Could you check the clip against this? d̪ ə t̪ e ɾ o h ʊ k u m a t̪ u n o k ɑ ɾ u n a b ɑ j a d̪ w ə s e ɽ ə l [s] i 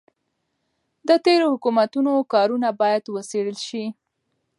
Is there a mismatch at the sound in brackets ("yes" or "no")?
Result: yes